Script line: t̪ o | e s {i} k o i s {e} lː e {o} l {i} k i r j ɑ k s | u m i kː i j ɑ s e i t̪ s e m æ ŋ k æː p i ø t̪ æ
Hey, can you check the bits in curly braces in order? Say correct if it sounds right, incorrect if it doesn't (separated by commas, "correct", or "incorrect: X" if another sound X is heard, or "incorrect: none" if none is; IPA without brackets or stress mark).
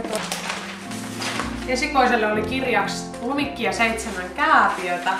correct, correct, correct, correct